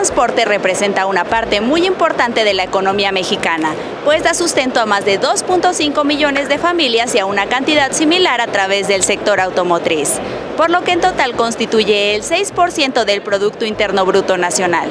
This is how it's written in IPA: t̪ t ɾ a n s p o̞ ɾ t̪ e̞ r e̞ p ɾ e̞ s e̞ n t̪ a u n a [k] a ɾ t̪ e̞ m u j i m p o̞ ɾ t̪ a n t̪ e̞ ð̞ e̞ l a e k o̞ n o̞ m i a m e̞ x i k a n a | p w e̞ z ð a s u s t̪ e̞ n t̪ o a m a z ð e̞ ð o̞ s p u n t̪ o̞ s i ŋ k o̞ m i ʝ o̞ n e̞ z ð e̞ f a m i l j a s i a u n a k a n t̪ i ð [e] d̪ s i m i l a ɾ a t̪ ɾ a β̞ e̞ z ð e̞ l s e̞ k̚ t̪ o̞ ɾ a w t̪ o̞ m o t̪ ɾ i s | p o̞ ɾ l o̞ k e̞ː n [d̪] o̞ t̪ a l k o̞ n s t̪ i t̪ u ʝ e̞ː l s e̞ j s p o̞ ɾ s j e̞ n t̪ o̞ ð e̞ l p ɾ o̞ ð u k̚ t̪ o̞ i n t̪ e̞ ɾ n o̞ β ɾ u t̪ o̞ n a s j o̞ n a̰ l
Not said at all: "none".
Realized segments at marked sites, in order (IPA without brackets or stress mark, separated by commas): p, a, t̪